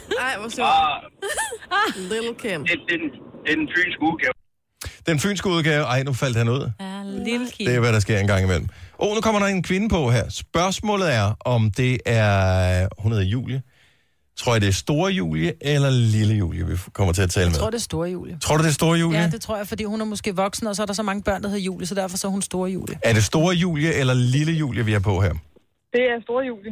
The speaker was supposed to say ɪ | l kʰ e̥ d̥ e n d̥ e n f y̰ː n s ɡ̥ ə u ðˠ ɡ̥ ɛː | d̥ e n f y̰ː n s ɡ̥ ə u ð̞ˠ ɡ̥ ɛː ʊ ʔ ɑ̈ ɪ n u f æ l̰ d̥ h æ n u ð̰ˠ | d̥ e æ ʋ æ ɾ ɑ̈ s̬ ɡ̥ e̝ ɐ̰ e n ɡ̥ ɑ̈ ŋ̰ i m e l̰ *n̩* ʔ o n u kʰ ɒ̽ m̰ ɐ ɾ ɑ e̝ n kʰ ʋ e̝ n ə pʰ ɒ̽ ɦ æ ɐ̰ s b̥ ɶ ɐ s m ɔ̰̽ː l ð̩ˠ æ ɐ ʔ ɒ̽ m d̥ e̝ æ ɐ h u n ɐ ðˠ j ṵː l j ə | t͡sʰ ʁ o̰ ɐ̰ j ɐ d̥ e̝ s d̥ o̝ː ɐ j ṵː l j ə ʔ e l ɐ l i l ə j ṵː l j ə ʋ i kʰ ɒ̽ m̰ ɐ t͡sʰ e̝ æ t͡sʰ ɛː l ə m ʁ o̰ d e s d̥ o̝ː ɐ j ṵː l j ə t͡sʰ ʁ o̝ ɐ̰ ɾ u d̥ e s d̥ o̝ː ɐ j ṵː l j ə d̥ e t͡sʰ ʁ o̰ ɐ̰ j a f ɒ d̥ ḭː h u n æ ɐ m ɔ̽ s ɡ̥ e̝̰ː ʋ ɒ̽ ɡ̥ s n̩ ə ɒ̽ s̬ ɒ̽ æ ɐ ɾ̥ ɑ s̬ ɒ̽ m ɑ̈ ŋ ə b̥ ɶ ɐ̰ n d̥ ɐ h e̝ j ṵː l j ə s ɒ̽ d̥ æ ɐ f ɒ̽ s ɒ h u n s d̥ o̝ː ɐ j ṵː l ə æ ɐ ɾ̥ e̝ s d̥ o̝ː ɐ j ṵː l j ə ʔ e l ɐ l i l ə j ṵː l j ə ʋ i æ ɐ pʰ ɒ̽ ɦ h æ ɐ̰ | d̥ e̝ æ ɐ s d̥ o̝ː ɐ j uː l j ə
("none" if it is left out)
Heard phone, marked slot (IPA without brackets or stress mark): m̩